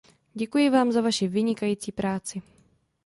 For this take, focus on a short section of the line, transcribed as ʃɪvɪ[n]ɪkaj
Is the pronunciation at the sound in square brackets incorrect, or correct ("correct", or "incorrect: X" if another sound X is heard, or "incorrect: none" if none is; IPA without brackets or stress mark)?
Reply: incorrect: ɲ